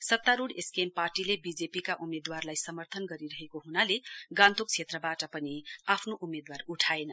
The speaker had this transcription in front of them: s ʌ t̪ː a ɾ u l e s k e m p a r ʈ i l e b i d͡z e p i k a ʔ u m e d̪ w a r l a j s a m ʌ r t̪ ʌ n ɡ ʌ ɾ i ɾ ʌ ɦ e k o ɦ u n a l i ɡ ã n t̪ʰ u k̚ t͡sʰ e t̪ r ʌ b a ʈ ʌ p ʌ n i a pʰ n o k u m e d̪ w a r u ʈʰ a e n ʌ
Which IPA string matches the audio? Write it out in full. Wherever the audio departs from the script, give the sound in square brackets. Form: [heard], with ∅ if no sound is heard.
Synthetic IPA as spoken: s ʌ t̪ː a ɾ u [ɽ] e s k e m p a r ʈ i l e b i d͡z e p i k a ʔ u m e d̪ w a r l a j s [ʌ] m ʌ r [t̪ʰ] ʌ n ɡ ʌ ɾ i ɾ ʌ ɦ e k o ɦ u n a l [e] ɡ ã n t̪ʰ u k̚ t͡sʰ e t̪ r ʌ b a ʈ ʌ p ʌ n i a pʰ n o [ʔ] u m e d̪ w a r u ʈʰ a e n ʌ